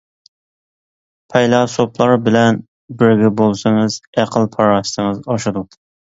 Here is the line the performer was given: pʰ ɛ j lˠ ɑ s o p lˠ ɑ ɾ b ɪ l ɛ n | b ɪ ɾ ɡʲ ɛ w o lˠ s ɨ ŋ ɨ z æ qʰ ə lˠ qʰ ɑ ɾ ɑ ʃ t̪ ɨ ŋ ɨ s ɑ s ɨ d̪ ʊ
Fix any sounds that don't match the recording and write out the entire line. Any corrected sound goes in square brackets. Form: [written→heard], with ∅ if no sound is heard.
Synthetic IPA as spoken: pʰ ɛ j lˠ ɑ s o p lˠ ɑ ɾ b ɪ l ɛ n | b ɪ ɾ ɡʲ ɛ [w→b] o lˠ s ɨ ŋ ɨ z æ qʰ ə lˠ [qʰ→pʰ] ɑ ɾ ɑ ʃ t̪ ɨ ŋ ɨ [s→z] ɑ [s→ʃ] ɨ d̪ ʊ

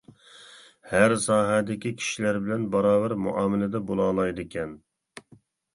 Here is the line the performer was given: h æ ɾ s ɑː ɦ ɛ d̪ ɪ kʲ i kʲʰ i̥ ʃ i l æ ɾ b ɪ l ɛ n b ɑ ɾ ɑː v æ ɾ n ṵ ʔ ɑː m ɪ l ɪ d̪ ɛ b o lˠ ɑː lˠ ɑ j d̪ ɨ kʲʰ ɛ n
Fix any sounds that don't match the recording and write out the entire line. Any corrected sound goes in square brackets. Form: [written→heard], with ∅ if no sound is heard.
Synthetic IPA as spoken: h æ ɾ s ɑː ɦ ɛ d̪ ɪ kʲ i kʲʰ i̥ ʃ i l æ ɾ b ɪ l ɛ n b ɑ ɾ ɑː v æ ɾ [n→m] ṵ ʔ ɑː m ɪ l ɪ d̪ ɛ b o lˠ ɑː lˠ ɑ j d̪ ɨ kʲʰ ɛ n

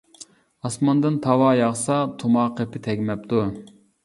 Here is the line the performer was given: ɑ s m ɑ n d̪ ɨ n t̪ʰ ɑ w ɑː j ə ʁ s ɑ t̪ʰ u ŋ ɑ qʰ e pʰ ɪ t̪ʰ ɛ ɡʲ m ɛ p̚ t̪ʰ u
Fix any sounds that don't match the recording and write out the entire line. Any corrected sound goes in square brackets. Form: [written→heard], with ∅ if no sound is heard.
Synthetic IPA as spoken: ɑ s m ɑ n d̪ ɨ n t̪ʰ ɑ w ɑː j [ə→ɑ] ʁ s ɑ t̪ʰ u [ŋ→m] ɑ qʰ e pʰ ɪ t̪ʰ ɛ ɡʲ m ɛ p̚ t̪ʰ u

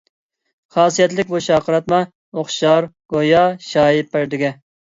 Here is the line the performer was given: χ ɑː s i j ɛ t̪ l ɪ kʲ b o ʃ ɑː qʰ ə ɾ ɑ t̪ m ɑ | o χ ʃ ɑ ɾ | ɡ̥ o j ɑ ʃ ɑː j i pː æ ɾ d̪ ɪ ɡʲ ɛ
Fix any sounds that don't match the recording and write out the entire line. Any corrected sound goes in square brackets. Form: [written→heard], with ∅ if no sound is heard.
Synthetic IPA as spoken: χ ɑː s i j ɛ t̪ l ɪ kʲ b o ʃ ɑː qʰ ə ɾ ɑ t̪ m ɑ | o χ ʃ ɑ ɾ | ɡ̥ o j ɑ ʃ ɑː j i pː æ ɾ d̪ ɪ ɡʲ ɛ

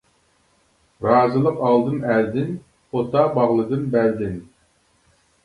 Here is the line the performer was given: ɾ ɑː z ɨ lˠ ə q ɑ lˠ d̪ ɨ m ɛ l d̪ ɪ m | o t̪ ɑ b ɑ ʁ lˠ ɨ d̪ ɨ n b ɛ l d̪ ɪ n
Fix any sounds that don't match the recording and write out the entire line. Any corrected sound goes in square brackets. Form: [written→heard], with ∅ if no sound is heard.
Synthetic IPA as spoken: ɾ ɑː z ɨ lˠ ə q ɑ lˠ d̪ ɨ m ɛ l d̪ ɪ [m→n] | o t̪ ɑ b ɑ ʁ lˠ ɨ d̪ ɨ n b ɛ l d̪ ɪ n

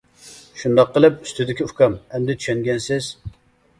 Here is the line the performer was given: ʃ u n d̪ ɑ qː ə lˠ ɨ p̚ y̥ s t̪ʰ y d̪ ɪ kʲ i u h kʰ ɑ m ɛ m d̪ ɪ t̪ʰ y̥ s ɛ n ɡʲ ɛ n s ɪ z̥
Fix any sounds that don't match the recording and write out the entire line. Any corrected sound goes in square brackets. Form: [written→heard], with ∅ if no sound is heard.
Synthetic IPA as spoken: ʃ u n d̪ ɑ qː ə lˠ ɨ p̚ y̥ s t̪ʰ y d̪ ɪ kʲ i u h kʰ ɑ m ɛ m d̪ ɪ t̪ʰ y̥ [s→ʃ] ɛ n ɡʲ ɛ n s ɪ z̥

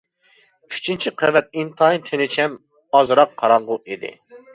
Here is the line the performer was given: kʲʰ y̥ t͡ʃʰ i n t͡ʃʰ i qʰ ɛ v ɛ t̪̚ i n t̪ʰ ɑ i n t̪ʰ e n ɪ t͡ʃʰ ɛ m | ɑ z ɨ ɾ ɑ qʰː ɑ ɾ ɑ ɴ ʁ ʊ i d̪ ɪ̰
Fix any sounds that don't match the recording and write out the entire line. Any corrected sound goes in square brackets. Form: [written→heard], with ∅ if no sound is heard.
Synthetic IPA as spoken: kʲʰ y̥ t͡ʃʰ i n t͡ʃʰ i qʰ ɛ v ɛ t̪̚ i n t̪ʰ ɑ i n t̪ʰ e n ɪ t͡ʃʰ ɛ m | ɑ z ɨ ɾ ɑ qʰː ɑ ɾ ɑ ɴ ʁ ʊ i d̪ ɪ̰

